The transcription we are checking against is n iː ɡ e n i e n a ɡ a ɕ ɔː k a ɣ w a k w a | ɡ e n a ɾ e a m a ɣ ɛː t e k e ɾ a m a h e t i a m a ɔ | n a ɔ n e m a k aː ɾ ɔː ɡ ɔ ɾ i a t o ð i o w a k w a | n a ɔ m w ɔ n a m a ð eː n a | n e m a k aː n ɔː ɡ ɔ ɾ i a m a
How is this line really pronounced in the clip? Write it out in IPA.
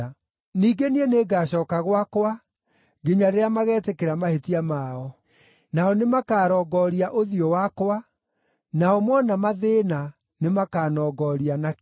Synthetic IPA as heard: n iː ɡ e n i e n e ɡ a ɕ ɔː k a ɣ w a k w a | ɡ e ɲ a ɾ e a m a ɣ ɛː t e k e ɾ a m a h e t i a m a ɔ | n a ɔ n e m a k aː ɾ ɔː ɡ ɔ ɾ i a ʔ o ð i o w a k w a | n a ɔ m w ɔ n a m a ð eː n a | n e m a k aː n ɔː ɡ ɔ ɾ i a n a